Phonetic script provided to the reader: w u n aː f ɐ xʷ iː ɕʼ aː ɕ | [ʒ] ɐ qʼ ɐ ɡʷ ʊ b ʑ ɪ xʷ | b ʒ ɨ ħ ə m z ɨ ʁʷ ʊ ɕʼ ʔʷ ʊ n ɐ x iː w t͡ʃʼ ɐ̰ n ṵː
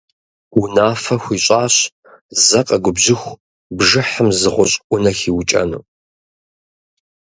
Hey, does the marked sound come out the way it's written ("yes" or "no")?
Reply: no